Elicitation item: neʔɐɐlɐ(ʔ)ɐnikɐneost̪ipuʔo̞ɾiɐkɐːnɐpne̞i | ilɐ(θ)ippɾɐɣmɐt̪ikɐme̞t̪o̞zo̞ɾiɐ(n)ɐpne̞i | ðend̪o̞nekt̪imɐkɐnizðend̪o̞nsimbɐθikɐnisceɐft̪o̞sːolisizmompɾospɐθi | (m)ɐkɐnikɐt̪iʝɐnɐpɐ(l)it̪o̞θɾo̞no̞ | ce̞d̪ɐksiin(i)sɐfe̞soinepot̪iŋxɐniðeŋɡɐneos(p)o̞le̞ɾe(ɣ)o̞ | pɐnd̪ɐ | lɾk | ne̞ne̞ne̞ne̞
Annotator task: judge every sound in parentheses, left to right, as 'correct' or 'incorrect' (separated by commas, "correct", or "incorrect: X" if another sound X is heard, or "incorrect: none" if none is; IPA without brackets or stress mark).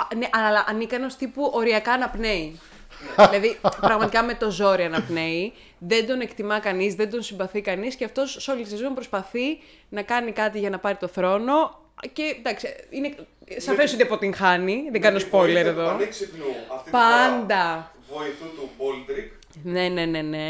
correct, incorrect: ð, correct, incorrect: n, incorrect: ɾ, incorrect: e, correct, incorrect: ð